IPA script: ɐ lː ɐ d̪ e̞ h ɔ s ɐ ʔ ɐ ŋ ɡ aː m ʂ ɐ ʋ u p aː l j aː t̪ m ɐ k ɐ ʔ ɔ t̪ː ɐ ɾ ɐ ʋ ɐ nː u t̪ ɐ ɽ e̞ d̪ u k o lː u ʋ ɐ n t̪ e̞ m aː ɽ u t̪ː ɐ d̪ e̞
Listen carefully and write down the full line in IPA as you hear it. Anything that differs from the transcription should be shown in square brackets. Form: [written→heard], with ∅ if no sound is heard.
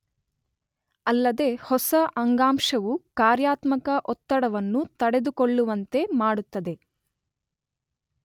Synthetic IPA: ɐ lː ɐ d̪ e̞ h ɔ s ɐ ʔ ɐ ŋ ɡ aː m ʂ ɐ ʋ u [p→k] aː [l→ɾ] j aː t̪ m ɐ k ɐ ʔ ɔ t̪ː ɐ [ɾ→ɽ] ɐ ʋ ɐ nː u t̪ ɐ ɽ e̞ d̪ u k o [lː→ɭː] u ʋ ɐ n t̪ e̞ m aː ɽ u t̪ː ɐ d̪ e̞

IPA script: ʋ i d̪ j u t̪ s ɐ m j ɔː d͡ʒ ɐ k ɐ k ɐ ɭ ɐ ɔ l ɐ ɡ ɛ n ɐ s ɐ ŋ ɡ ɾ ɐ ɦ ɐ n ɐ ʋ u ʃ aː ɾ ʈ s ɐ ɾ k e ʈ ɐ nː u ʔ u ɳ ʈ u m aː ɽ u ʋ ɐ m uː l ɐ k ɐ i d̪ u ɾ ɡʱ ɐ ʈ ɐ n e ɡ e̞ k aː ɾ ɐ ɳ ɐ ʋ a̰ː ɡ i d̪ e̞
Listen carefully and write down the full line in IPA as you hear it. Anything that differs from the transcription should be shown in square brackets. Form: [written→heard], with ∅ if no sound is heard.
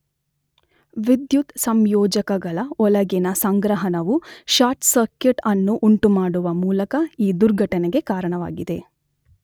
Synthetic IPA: ʋ i d̪ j u t̪ s ɐ m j ɔː d͡ʒ ɐ k ɐ [k→ɡ] ɐ ɭ ɐ ɔ l ɐ ɡ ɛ n ɐ s ɐ ŋ ɡ ɾ ɐ ɦ ɐ n ɐ ʋ u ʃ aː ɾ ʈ s ɐ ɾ k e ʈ ɐ nː u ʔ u ɳ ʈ u m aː ɽ u ʋ ɐ m uː l ɐ k ɐ [i→iː] d̪ u ɾ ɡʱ ɐ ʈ ɐ n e ɡ e̞ k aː ɾ ɐ ɳ ɐ ʋ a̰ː ɡ i d̪ e̞

